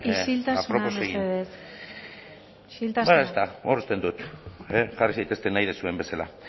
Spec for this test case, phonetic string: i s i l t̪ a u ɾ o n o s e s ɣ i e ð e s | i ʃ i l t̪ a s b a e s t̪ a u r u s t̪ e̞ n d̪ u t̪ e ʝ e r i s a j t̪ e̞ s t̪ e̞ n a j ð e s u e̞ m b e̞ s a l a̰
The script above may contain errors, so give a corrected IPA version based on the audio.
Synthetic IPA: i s i l t̪ a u ɾ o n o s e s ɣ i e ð e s | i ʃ i l t̪ a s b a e s t̪ a o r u s t̪ e̞ n d̪ u t̪ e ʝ a r i s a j t̪ e̞ s t̪ e̞ n a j ð e s u e̞ m b e̞ s a l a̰